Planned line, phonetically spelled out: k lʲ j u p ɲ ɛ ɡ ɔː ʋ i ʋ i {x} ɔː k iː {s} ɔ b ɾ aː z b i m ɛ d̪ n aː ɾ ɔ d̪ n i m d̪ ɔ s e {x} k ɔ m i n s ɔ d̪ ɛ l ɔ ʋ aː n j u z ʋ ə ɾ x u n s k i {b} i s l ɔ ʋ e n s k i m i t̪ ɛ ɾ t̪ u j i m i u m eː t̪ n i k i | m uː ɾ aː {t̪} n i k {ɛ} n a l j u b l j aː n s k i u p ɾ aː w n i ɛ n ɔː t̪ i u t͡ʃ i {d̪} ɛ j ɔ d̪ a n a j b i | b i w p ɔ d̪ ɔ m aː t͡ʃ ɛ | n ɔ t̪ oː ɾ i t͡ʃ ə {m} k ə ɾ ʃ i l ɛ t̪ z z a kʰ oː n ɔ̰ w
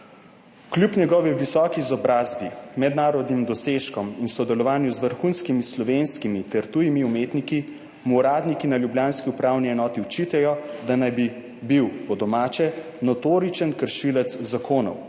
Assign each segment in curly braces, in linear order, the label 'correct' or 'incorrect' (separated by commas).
incorrect, incorrect, incorrect, incorrect, incorrect, incorrect, incorrect, incorrect